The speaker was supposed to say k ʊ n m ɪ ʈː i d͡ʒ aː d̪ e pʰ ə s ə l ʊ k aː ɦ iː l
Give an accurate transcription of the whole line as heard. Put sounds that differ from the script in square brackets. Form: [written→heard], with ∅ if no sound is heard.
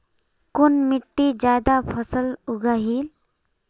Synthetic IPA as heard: k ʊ n m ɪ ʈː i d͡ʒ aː d̪ [e→a] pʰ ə s ə l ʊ [k→ɡ] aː ɦ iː l

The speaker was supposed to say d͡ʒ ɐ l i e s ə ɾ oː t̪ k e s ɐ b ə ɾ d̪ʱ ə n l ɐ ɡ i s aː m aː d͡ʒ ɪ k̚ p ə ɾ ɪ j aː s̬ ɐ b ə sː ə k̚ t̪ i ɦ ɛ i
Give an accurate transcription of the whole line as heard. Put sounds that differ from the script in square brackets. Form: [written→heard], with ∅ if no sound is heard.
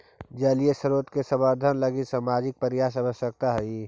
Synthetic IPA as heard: d͡ʒ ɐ l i e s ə ɾ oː t̪ k e s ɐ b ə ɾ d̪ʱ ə n l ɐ ɡ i s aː m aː d͡ʒ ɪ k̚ p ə ɾ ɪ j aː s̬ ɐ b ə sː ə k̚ t̪ [i→a] ɦ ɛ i

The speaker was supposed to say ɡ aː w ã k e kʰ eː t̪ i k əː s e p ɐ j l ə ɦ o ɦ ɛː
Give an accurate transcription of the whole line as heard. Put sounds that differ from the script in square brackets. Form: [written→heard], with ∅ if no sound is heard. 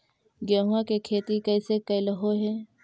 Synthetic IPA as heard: ɡ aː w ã k e kʰ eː t̪ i k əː s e [p→k] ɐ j l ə ɦ o ɦ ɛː

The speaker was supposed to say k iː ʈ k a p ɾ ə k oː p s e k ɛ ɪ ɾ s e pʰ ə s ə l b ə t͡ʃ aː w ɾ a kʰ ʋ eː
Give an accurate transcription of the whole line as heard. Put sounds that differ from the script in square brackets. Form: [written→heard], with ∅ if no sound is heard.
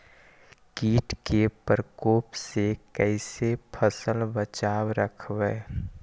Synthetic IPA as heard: k iː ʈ k [a→e] p ɾ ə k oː p s e k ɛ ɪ [ɾ→∅] s e pʰ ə s ə l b ə t͡ʃ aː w ɾ [a→ə] kʰ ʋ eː

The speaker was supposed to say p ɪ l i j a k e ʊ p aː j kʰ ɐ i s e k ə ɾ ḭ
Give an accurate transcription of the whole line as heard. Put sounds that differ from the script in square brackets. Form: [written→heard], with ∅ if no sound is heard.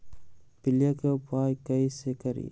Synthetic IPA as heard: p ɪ l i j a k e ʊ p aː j [kʰ→k] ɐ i s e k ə ɾ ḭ

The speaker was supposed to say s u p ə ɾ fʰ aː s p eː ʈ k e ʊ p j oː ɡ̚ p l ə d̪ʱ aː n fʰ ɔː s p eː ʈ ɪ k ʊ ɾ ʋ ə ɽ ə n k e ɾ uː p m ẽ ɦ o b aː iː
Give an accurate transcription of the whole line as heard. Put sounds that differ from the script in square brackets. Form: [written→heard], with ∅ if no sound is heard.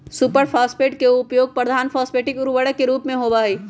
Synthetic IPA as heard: s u p ə ɾ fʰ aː s p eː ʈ k e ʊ p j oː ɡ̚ p [l→ɾ] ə d̪ʱ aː n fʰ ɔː s p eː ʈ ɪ k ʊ ɾ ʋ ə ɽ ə [n→∅] k e ɾ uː p m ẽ ɦ o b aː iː

